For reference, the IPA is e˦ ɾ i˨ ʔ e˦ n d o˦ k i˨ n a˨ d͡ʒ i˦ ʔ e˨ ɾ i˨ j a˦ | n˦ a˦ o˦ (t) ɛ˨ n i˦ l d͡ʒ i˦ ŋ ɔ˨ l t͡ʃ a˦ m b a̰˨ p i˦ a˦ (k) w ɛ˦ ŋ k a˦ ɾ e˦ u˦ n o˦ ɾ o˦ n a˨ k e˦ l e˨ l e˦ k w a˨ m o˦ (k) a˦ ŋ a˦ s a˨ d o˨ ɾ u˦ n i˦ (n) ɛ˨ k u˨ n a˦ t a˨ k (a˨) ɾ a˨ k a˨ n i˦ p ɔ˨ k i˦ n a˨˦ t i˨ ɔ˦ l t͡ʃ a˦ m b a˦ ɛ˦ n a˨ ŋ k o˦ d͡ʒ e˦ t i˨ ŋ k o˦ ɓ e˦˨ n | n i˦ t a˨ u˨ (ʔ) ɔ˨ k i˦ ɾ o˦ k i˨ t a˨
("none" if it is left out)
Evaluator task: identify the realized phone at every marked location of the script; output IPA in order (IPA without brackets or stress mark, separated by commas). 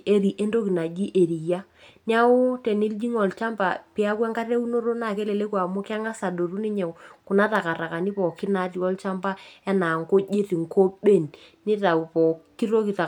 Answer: t, k, k, ɲ, a˨, p